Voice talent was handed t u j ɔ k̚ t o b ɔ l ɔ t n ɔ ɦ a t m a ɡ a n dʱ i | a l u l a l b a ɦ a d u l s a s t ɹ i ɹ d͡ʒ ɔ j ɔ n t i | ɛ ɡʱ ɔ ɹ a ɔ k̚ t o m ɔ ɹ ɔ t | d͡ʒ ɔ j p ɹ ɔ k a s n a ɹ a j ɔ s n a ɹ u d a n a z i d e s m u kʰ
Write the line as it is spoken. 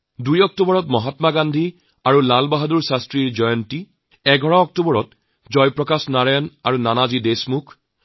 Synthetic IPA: d u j ɔ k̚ t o b ɔ ɹ ɔ t m ɔ ɦ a t m a ɡ a n dʱ i | a ɹ u l a l b a ɦ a d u ɹ s a s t ɹ i ɹ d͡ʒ ɔ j ɔ n t i | ɛ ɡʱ ɔ ɹ a ɔ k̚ t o b ɔ ɹ ɔ t | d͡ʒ ɔ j p ɹ ɔ k a s n a ɹ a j ɔ n a ɹ u n a n a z i d e s m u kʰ